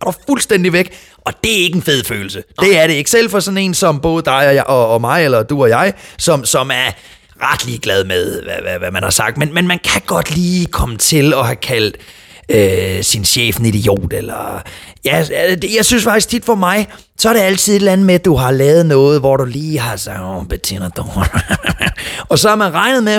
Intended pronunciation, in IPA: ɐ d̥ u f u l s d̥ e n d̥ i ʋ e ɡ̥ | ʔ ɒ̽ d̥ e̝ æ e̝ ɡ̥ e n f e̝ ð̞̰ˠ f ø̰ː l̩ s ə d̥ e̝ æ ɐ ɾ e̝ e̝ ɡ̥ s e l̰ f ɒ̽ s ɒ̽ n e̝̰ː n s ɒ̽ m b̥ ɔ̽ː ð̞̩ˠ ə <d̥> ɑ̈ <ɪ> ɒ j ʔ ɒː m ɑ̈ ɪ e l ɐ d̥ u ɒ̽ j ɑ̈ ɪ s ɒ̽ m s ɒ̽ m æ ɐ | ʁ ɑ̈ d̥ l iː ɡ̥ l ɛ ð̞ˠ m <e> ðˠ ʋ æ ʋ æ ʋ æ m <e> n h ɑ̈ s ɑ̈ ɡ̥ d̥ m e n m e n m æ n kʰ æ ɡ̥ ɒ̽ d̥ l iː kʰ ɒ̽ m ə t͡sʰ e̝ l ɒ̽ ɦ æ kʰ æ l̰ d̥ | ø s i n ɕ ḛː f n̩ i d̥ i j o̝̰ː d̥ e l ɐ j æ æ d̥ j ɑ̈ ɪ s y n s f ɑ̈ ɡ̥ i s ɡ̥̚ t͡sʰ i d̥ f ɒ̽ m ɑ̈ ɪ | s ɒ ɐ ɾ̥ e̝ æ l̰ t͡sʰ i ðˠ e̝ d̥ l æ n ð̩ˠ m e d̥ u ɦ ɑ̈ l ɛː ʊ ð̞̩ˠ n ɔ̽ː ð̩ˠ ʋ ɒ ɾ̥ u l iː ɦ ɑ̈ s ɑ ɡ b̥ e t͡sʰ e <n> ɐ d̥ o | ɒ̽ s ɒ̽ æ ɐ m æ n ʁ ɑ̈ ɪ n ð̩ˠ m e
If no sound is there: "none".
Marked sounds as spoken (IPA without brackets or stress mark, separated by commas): d̥, ɪ, e, æ, n